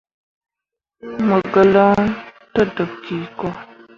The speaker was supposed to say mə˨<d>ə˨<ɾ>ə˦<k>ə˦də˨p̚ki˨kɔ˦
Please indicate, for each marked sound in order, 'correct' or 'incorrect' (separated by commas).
incorrect, incorrect, incorrect